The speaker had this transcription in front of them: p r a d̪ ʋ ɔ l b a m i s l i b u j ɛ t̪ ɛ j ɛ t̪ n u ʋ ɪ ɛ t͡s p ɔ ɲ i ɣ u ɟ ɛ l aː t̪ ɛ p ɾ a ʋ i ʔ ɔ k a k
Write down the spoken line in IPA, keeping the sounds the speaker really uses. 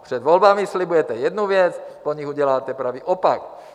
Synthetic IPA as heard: p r ɛ d̪ ʋ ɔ l b a m i s l i b u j ɛ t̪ ɛ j ɛ d̪ n u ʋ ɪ ɛ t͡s p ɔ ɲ i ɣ u ɟ ɛ l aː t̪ ɛ p ɾ a ʋ i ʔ ɔ p a k

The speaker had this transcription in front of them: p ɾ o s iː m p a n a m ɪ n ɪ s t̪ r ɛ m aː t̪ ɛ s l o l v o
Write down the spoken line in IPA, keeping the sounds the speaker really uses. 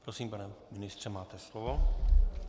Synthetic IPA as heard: p ɾ o s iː m p a n ɛ m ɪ n ɪ s t̪ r ɛ m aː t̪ ɛ s l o v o

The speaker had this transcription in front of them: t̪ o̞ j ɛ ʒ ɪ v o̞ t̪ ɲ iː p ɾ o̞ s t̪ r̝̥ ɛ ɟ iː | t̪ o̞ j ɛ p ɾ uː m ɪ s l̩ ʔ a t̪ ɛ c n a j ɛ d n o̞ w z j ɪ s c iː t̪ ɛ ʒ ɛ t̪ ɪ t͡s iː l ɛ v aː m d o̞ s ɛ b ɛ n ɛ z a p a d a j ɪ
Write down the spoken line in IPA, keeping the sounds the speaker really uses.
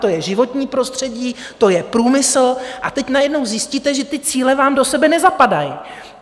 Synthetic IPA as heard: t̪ o̞ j ɛ ʒ ɪ v o̞ t̪ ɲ iː p ɾ o̞ s t̪ r̝̥ ɛ ɟ iː | t̪ o̞ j ɛ p ɾ uː m ɪ s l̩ ʔ a t̪ ɛ c n a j ɛ d n o̞ w z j ɪ s c iː t̪ ɛ ʒ ɛ t̪ ɪ t͡s iː l ɛ v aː m d o̞ s ɛ b ɛ n ɛ z a p a d a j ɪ

